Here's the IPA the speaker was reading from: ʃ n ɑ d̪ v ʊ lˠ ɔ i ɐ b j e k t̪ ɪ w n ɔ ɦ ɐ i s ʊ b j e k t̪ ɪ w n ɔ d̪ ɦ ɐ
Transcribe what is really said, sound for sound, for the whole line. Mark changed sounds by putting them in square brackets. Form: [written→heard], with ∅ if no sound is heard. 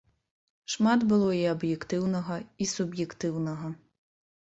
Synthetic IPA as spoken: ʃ [n→m] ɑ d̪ [v→b] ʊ lˠ ɔ i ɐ b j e k t̪ ɪ w n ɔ ɦ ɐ i s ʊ b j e k t̪ ɪ w n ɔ [d̪→∅] ɦ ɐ